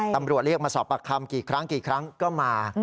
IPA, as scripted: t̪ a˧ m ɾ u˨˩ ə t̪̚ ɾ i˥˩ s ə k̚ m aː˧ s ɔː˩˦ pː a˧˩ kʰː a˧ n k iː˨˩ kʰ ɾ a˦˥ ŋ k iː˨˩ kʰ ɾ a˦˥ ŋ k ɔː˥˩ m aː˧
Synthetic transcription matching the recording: t̪ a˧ m ɾ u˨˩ ə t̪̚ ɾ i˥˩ ə k̚ m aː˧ s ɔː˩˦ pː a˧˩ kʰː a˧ m k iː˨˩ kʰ ɾ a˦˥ ŋ k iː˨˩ kʰ ɾ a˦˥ ŋ k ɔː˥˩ m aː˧